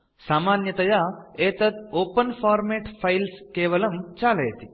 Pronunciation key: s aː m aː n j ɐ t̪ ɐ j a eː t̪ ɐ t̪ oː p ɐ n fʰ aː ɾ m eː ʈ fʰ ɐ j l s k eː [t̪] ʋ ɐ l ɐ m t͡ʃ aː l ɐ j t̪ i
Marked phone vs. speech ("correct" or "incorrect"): incorrect